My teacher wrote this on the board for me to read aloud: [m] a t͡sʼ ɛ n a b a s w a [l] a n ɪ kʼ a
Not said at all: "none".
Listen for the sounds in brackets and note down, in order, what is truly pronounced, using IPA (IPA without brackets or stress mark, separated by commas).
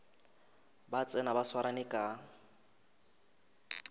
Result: b, ɾ